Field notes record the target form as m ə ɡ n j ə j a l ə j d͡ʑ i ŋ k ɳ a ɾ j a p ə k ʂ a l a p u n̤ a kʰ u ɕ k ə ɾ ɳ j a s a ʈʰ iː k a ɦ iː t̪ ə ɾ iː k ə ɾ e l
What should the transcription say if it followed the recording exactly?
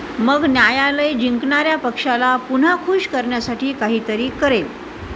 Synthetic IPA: m ə ɡ n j a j a l ə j d͡ʑ i ŋ k ɳ a ɾ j a p ə k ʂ a l a p u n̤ a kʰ u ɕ k ə ɾ ɳ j a s a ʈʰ iː k a ɦ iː t̪ ə ɾ iː k ə ɾ e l